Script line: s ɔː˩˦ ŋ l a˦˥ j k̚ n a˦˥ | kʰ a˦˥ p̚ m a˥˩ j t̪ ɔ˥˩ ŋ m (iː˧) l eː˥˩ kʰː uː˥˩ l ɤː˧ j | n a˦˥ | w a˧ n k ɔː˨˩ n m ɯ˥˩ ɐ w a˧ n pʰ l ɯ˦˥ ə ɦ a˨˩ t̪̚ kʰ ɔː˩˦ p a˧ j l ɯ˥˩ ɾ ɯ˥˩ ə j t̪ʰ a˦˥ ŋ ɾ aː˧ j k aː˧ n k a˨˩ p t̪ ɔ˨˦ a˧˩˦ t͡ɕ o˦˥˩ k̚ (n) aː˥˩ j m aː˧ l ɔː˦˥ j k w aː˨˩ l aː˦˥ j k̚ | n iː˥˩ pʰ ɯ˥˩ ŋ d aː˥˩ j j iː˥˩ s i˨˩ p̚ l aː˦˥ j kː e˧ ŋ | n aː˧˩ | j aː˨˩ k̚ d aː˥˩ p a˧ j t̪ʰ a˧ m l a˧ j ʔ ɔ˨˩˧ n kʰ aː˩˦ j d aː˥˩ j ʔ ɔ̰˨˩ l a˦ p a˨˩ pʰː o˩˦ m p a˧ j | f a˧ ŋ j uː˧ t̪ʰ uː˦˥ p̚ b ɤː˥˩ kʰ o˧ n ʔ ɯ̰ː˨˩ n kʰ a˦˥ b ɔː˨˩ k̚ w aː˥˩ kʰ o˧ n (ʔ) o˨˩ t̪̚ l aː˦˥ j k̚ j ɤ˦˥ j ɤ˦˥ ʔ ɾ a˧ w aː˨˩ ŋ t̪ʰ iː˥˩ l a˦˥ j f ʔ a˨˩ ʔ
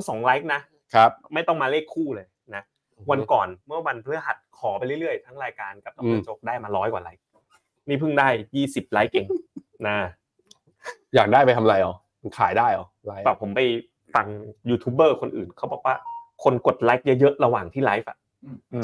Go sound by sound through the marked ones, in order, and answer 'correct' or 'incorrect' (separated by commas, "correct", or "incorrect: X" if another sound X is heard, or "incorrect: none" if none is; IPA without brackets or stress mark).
incorrect: aː˧, incorrect: d, incorrect: k